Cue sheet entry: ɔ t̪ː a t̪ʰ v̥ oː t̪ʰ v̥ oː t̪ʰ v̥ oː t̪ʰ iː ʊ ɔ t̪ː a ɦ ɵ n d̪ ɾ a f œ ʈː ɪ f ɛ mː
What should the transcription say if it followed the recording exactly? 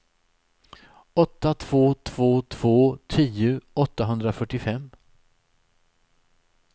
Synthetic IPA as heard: ɔ t̪ː a t̪ʰ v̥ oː t̪ʰ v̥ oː t̪ʰ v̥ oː t̪ʰ iː ʊ ɔ t̪ː a ɦ ɵ n d̪ ɾ a f œ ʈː ɪ f ɛ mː